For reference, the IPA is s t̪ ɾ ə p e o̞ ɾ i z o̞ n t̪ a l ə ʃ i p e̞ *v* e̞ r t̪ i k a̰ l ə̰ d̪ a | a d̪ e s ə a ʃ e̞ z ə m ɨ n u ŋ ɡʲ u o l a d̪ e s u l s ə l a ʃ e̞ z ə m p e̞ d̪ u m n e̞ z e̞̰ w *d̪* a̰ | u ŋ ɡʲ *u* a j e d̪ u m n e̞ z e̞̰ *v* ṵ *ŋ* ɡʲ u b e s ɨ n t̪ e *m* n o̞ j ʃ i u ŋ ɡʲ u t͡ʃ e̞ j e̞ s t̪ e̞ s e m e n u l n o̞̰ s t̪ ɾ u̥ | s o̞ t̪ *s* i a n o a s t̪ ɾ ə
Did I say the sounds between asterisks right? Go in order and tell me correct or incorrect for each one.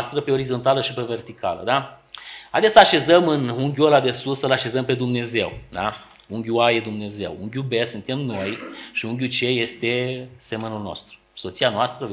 correct, correct, correct, incorrect: w, correct, correct, correct

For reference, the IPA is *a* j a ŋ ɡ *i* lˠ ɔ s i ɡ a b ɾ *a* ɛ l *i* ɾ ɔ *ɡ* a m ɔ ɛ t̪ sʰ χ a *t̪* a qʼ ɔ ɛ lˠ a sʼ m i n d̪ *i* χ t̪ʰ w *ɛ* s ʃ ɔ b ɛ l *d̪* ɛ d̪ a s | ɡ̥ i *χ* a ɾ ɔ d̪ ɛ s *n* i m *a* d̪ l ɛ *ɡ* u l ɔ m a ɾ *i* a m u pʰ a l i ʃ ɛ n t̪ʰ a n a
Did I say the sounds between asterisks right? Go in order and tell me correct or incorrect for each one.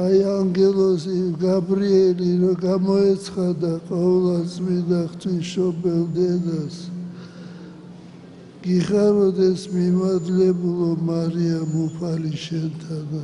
correct, incorrect: ɛ, incorrect: i, correct, correct, incorrect: d̪, incorrect: a, incorrect: i, correct, correct, incorrect: m, correct, incorrect: b, correct

